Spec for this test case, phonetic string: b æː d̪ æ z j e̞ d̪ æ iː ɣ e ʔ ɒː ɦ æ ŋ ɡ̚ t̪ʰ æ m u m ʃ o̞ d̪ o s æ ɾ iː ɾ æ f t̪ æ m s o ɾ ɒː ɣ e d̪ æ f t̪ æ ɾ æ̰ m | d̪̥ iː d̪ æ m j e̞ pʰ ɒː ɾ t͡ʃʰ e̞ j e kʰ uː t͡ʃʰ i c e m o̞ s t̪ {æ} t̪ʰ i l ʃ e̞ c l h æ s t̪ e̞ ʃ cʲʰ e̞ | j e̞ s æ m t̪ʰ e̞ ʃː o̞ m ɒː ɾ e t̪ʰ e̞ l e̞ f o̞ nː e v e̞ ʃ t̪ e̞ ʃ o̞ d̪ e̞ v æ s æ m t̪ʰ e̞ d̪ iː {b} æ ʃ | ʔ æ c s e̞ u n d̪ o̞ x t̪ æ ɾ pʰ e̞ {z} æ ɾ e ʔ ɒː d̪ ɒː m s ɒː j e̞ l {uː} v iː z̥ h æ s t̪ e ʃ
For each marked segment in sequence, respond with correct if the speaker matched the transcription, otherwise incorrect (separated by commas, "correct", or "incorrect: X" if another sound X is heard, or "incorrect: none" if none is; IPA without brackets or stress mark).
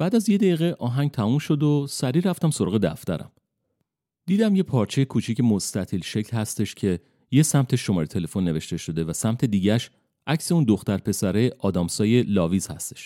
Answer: correct, incorrect: ɟ, incorrect: s, incorrect: ɒː